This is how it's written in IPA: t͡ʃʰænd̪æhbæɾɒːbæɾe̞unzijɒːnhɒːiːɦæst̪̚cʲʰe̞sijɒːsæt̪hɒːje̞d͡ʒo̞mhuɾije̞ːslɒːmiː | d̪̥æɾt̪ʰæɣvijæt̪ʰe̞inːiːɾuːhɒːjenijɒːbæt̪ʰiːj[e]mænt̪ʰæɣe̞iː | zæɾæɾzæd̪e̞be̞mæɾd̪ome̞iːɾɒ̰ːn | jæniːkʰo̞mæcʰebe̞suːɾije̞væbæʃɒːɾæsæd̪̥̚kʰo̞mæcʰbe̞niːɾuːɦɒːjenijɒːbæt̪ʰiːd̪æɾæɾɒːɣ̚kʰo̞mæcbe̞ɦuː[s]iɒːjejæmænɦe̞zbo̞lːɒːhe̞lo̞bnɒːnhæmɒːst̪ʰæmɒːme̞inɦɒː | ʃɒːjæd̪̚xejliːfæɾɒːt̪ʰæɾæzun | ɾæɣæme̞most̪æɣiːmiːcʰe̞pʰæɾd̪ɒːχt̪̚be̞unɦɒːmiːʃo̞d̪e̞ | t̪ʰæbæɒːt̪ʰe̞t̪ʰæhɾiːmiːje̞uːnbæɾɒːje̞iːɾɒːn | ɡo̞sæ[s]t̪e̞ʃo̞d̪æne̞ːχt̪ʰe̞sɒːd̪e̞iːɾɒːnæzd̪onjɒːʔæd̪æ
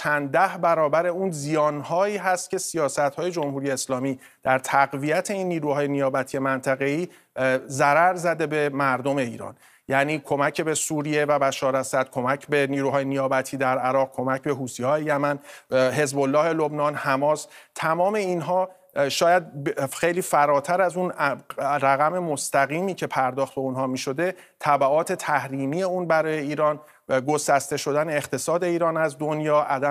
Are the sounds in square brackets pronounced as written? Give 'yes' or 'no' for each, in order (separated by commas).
yes, yes, yes